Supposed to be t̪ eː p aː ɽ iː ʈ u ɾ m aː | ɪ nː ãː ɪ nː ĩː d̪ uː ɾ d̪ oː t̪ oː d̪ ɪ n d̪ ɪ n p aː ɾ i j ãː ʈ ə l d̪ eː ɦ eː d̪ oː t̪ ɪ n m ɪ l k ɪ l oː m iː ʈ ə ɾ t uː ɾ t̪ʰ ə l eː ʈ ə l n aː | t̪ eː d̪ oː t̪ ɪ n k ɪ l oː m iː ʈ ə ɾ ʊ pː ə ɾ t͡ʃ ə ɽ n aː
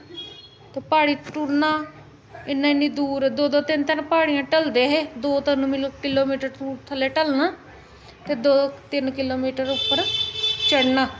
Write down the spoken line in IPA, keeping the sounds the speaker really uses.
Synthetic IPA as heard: t̪ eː p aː ɽ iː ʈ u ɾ n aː | ɪ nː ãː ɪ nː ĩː d̪ uː ɾ d̪ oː d̪ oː t̪ ɪ n t̪ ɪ n p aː ɽ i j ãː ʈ ə l d̪ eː ɦ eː d̪ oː t̪ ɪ n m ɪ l k ɪ l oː m iː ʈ ə ɾ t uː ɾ t̪ʰ ə l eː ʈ ə l n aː | t̪ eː d̪ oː t̪ ɪ n k ɪ l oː m iː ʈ ə ɾ ʊ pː ə ɾ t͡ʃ ə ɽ n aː